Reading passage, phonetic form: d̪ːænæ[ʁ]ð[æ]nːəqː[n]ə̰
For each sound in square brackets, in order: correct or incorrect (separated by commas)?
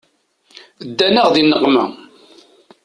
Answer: correct, incorrect, incorrect